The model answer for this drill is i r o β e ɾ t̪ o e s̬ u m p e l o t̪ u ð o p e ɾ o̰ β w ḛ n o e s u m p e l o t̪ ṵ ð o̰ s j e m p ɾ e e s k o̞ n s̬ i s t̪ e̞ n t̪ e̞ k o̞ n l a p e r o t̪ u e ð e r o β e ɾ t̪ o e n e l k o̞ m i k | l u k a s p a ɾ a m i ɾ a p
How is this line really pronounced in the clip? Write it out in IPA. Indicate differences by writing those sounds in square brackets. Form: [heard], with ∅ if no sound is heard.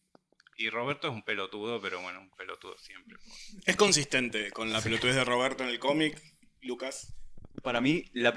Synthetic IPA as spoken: i r o β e ɾ t̪ o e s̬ u m p e l o t̪ u ð o p e ɾ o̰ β w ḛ n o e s u m p e l o t̪ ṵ ð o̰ s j e m p ɾ e e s k o̞ n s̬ i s t̪ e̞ n t̪ e̞ k o̞ n l a p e [l] o t̪ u e ð e r o β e ɾ t̪ o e n e l k o̞ m i k | l u k a s p a ɾ a m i [l] a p